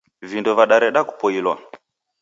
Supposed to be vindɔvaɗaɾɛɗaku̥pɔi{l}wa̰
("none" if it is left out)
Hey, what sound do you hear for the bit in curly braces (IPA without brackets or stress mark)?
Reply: l